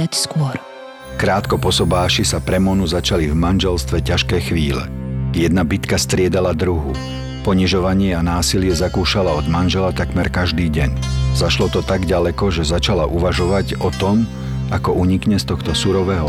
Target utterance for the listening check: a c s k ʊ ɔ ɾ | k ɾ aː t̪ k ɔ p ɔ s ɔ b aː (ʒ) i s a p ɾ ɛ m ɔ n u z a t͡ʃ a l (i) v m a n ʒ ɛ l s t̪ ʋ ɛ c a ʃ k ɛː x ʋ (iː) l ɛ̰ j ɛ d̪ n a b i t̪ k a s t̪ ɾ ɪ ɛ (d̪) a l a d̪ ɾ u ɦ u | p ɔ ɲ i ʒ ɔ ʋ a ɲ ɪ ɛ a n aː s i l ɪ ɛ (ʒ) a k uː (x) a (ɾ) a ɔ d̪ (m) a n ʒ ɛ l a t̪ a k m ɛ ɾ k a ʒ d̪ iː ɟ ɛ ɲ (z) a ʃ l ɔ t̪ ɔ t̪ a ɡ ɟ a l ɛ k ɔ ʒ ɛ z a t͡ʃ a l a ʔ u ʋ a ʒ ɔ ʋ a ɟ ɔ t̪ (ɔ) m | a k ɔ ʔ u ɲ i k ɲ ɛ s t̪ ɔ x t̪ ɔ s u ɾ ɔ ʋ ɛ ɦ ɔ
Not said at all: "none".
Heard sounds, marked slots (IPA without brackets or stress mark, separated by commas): ʃ, i, iː, d̪, z, ʃ, l, m, z, ɔ